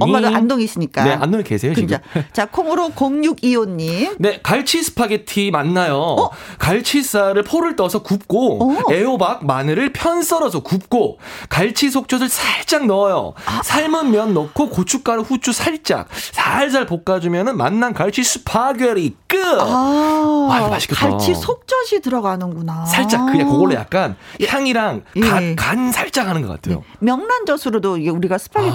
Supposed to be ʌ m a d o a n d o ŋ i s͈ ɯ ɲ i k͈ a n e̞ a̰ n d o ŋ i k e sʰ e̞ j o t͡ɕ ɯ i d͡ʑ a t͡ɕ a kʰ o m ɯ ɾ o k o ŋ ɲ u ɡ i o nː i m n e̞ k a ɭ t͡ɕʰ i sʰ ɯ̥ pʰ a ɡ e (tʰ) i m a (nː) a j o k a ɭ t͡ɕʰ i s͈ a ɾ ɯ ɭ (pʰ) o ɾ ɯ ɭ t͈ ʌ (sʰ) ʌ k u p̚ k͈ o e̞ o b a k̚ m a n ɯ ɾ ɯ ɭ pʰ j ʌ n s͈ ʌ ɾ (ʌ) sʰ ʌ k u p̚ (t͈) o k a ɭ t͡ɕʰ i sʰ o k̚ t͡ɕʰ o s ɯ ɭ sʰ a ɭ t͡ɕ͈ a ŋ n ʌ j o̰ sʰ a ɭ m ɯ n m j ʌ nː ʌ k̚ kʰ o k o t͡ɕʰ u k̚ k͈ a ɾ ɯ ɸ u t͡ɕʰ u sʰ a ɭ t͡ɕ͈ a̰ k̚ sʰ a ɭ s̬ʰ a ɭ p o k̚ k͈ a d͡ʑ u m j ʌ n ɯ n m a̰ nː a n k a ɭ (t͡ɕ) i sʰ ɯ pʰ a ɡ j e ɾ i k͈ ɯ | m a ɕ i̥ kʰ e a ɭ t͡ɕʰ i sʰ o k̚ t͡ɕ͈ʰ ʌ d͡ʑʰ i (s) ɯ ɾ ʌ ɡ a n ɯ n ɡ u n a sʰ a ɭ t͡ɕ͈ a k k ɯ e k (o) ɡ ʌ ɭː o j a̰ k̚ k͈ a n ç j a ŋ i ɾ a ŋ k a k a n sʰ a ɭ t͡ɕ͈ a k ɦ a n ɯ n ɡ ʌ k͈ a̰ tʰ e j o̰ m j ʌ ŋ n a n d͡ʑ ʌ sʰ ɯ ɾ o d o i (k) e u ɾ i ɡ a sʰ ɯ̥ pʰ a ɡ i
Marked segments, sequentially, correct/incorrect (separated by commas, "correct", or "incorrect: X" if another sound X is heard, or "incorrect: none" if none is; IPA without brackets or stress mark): correct, correct, correct, correct, correct, incorrect: k͈, incorrect: t͡ɕʰ, incorrect: t, correct, incorrect: ɡ